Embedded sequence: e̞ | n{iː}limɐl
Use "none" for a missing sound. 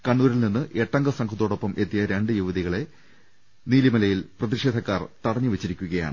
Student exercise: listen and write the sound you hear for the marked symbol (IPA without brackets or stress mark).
iː